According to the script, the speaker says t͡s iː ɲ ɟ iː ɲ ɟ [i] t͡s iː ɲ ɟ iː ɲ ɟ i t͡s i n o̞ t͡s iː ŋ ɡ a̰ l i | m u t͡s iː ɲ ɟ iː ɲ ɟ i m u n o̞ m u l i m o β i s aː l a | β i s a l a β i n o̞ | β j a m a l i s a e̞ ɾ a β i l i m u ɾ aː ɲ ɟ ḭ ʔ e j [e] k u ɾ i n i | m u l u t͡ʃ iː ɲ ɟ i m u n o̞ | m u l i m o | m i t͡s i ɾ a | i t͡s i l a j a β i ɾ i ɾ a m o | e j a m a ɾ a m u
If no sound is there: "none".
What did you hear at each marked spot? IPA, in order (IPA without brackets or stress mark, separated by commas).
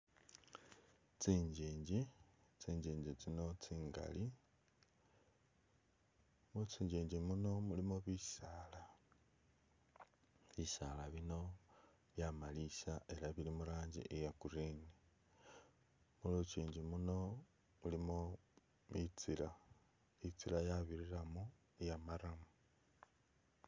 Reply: i, a